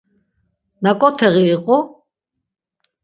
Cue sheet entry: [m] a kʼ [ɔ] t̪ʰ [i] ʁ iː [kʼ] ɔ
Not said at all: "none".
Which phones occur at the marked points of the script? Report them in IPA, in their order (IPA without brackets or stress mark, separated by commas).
n, ɔ, ɛ, qʼ